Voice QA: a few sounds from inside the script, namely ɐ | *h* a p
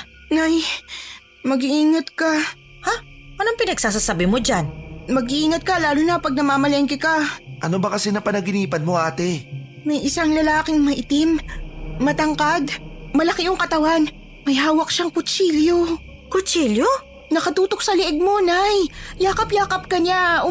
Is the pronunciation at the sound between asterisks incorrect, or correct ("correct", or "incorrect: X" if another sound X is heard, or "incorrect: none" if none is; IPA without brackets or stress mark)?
correct